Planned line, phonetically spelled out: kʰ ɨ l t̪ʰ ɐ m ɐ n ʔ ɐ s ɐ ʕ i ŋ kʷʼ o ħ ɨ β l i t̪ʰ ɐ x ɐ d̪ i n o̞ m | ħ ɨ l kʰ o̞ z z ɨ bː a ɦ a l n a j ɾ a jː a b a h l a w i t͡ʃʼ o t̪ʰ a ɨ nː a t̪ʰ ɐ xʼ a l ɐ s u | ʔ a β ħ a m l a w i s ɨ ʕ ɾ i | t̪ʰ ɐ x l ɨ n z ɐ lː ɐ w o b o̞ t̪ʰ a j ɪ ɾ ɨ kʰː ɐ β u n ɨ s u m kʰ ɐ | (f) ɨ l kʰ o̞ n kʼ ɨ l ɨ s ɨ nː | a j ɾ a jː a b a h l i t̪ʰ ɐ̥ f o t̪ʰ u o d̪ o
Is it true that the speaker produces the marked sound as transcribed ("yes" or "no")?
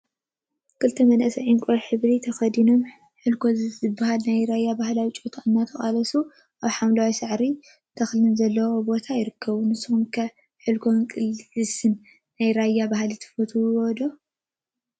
no